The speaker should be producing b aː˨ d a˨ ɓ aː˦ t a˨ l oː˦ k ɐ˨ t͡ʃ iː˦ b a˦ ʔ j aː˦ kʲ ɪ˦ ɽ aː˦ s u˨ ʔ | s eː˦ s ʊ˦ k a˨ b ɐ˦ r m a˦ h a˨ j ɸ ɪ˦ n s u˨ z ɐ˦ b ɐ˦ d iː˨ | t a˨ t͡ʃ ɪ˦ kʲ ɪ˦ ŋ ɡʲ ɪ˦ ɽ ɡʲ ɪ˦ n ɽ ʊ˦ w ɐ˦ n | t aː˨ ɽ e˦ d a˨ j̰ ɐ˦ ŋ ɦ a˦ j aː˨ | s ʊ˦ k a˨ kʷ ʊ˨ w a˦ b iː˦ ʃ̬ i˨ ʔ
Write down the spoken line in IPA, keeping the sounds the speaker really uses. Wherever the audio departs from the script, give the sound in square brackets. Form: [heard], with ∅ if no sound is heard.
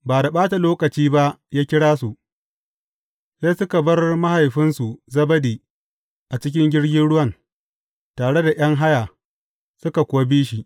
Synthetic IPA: b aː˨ d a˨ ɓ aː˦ t a˨ l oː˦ k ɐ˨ t͡ʃ iː˦ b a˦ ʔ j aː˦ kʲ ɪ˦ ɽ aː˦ s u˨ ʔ | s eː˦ s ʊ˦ k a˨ b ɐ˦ r m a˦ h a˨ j ɸ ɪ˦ n s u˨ z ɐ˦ b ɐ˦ d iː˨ | [ʔ] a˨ t͡ʃ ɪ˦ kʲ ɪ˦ ŋ ɡʲ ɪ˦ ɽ ɡʲ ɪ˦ n ɽ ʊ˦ w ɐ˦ n | t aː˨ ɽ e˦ d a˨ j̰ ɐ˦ ŋ ɦ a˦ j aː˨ | s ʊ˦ k a˨ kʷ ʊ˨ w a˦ b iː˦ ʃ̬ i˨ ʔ